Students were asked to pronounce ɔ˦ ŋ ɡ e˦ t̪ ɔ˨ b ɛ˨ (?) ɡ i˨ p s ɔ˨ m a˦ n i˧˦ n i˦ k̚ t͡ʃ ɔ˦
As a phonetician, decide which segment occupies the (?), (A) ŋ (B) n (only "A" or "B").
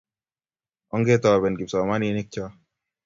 B